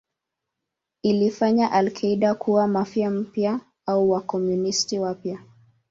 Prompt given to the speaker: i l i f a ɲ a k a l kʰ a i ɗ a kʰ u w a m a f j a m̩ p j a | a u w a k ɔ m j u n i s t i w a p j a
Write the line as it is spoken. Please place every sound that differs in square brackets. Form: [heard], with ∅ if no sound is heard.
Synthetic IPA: i l i f a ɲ a [ʔ] a l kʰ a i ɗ a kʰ u w a m a f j a m̩ p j a | a u w a k ɔ m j u n i s t i w a p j a